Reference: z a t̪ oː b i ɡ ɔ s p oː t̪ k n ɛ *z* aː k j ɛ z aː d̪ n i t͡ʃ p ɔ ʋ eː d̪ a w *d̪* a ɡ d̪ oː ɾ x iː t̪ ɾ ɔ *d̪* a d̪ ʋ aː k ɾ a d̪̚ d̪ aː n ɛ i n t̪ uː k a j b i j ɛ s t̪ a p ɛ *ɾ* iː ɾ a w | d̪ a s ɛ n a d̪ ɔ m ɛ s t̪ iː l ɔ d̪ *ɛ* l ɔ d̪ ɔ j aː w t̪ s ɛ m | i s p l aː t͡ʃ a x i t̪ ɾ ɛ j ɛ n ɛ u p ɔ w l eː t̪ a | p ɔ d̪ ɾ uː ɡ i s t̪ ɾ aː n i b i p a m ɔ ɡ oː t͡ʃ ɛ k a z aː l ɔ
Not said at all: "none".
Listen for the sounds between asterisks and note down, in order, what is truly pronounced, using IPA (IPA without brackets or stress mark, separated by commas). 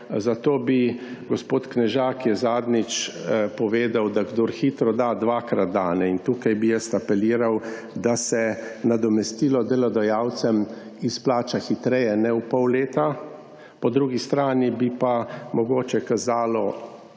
ʒ, d̪, d̪, l, ɛ